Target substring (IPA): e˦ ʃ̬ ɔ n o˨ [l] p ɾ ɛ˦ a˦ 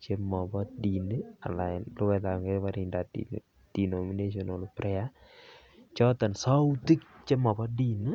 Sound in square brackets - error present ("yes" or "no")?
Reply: no